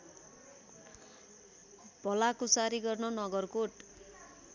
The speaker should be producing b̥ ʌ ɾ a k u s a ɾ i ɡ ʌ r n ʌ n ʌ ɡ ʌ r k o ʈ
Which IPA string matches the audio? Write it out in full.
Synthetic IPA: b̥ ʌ l a k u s a ɾ i ɡ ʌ r n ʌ n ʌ ɡ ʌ r k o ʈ